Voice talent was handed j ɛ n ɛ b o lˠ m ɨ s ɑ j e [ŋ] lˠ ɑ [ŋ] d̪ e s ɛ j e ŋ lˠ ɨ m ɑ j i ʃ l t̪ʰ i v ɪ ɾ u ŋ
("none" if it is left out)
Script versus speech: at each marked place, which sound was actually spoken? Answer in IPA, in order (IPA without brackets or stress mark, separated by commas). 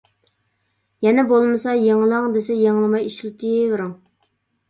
ŋ, ŋ